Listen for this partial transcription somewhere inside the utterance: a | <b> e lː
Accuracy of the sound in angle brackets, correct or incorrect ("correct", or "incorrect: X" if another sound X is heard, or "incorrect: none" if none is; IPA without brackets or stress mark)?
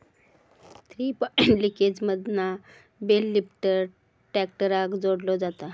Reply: correct